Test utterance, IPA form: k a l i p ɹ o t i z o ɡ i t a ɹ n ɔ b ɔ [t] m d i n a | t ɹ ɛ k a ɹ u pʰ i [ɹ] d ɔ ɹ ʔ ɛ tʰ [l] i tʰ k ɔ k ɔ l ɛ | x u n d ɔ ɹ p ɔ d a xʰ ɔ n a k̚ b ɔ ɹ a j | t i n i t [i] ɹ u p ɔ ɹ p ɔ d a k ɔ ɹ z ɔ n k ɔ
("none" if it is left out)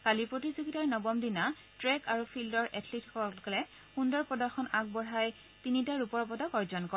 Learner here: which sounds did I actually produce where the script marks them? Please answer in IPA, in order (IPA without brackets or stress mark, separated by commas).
none, l, l, a